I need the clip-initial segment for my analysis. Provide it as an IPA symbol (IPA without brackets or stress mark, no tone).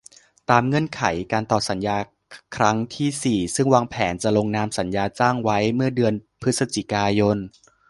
t̪